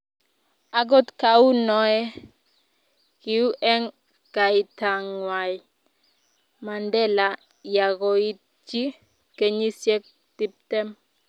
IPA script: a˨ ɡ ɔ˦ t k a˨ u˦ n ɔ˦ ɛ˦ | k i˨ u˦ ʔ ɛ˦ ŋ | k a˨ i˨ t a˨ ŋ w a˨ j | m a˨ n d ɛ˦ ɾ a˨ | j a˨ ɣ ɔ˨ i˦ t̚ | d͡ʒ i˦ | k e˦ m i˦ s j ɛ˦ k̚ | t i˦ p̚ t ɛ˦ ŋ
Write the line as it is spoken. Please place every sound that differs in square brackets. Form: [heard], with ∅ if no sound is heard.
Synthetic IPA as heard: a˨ ɡ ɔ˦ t k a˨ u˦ n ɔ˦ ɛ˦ | k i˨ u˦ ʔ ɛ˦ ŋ | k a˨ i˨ t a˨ ŋ w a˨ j | m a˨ n d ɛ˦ [l] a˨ | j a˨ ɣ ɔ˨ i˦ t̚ | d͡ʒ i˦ | k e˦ [ɲ] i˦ s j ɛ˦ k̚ | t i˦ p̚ t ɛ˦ [m]